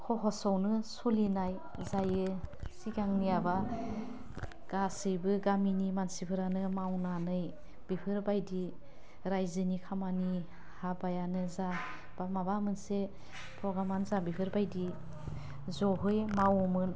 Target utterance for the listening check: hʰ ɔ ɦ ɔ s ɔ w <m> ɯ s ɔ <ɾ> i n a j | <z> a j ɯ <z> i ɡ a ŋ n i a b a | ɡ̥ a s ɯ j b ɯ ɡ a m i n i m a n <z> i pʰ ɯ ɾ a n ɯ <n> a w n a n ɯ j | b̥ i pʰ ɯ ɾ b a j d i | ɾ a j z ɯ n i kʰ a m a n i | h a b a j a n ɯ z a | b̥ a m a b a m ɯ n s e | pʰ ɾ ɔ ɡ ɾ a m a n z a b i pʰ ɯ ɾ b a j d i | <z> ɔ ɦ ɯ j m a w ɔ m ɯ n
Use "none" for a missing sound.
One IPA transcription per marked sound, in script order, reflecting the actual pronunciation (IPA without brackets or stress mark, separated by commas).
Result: n, l, z, s, s, m, z